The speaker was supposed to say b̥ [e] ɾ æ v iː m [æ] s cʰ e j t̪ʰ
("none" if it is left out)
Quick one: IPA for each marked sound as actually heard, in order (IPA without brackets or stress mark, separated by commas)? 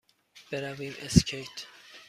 e, e